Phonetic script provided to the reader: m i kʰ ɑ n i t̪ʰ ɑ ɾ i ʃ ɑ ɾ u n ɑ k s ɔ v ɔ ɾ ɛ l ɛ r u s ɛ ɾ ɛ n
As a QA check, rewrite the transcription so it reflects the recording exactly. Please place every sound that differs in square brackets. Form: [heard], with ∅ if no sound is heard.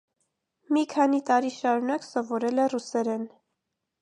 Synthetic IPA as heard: m i kʰ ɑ n i [t̪] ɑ ɾ i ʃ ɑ ɾ u n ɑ k s ɔ v ɔ ɾ ɛ l ɛ r u s ɛ ɾ ɛ n